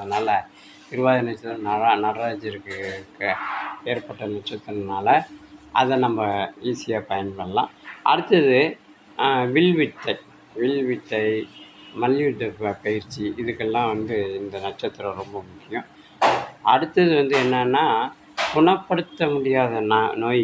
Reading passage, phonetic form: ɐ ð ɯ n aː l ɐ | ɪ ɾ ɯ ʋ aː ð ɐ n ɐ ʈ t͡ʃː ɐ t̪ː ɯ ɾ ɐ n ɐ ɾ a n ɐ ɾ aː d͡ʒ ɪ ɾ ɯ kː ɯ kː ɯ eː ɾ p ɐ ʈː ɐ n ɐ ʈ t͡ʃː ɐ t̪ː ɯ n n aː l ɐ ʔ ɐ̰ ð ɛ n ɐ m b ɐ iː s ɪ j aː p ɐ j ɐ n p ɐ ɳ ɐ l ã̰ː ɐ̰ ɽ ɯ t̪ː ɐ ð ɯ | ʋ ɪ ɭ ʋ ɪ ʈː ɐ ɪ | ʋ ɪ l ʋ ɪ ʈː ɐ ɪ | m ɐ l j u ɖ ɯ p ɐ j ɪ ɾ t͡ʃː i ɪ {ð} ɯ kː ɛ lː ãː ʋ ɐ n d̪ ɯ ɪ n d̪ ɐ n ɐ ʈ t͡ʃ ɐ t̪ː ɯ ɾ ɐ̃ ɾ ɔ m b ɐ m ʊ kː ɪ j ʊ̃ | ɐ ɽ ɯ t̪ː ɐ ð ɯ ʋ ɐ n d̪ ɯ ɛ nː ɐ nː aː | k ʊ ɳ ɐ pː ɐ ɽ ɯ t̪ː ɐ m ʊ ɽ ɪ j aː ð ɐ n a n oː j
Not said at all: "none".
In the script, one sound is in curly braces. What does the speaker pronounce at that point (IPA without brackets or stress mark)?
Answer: ð